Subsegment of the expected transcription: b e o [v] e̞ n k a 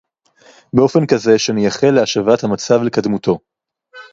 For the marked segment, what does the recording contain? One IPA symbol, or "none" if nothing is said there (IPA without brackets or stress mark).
f